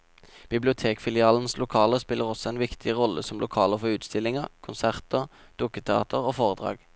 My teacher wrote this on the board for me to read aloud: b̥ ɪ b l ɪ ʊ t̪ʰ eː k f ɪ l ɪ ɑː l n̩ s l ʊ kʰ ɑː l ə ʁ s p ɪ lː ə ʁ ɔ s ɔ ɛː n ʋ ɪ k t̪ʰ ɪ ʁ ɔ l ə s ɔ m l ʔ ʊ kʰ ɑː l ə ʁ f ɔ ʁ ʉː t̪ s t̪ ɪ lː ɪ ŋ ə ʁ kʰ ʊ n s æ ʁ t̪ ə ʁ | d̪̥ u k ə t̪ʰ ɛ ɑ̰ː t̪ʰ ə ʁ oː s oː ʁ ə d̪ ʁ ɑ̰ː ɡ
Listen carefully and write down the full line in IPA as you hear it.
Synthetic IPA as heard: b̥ ɪ b l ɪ ʊ t̪ʰ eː k f ɪ l ɪ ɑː l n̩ s l ʊ kʰ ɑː l ə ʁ s p ɪ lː ə ʁ ɔ s ɔ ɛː n ʋ ɪ k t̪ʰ ɪ ʁ ɔ l ə s ɔ m l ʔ ʊ kʰ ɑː l ə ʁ f ɔ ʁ ʉː t̪ s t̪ ɪ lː ɪ ŋ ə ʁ kʰ ʊ n s æ ʁ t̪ ə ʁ | d̪̥ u k ə t̪ʰ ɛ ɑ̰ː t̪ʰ ə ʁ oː f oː ʁ ə d̪ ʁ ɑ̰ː ɡ